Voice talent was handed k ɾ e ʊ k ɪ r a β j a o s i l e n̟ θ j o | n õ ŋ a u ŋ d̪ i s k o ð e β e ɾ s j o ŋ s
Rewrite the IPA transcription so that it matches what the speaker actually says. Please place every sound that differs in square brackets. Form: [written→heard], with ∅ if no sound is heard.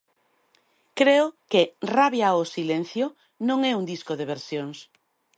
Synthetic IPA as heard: k ɾ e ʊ k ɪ r a β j a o s i l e n̟ θ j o | n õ ŋ [a→ɛ] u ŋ d̪ i s k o ð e β e ɾ s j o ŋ s